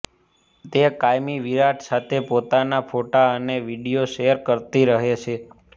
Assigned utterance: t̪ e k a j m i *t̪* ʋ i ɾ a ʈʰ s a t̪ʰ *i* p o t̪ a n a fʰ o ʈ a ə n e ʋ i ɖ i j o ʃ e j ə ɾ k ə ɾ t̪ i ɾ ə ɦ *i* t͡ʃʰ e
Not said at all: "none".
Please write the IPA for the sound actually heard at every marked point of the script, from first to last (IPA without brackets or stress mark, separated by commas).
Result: none, e, e